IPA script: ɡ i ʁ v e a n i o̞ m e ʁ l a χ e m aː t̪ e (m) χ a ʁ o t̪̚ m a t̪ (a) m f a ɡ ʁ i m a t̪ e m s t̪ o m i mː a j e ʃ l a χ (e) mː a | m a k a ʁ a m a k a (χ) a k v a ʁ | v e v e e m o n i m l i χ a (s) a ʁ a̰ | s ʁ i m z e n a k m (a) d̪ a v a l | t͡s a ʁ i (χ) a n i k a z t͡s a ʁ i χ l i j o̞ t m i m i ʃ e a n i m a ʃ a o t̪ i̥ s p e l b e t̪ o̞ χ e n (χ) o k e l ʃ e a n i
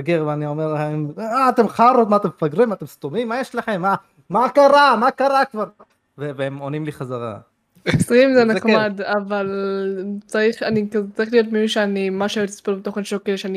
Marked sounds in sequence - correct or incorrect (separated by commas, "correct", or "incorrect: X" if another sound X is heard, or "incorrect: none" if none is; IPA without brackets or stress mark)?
correct, incorrect: e, correct, incorrect: ʁ, incorrect: z, correct, correct, incorrect: ʃ